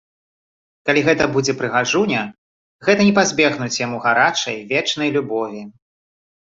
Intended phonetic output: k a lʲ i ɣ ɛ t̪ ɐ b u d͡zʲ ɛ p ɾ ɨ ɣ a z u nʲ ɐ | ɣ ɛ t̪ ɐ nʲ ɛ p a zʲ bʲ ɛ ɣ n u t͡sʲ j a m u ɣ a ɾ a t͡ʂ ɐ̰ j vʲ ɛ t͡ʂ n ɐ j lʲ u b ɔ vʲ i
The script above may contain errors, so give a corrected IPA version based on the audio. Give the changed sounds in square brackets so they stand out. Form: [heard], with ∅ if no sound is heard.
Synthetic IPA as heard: k a lʲ i ɣ ɛ t̪ ɐ b u d͡zʲ ɛ p ɾ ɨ ɣ a [ʐ] u nʲ ɐ | ɣ ɛ t̪ ɐ nʲ ɛ p a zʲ bʲ ɛ ɣ n u t͡sʲ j a m u ɣ a ɾ a t͡ʂ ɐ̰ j vʲ ɛ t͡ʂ n ɐ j lʲ u b ɔ vʲ i